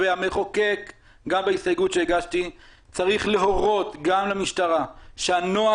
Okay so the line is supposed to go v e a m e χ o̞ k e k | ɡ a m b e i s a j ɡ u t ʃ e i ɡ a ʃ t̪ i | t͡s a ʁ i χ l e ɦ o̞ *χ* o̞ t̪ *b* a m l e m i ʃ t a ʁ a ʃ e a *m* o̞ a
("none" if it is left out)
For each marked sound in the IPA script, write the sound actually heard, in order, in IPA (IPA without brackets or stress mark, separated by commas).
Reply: ʁ, ɡ, n